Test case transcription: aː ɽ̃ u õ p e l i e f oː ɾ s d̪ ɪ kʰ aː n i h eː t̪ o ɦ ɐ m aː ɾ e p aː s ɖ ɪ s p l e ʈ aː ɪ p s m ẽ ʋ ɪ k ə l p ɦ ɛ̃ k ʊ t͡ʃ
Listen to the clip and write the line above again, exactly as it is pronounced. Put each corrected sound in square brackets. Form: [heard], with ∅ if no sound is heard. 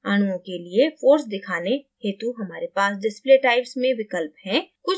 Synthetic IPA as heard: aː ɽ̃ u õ [k] e l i e f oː ɾ s d̪ ɪ kʰ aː n [e] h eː t̪ [u] ɦ ɐ m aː ɾ e p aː s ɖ ɪ s p l e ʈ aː ɪ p s m ẽ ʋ ɪ k ə l p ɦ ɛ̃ k ʊ t͡ʃ